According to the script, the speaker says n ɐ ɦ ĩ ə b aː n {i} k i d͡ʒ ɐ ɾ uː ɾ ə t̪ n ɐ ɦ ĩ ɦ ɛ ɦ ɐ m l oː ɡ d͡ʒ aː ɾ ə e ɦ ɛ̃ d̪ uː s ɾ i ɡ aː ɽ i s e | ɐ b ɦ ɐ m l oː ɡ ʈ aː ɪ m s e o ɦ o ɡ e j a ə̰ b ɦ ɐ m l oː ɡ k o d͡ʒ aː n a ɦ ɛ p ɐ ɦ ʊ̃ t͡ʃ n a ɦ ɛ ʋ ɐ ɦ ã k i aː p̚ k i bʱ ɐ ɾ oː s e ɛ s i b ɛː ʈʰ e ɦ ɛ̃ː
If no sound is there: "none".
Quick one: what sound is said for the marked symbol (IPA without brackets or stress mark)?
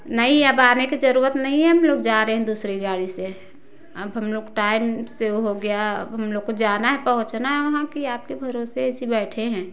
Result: e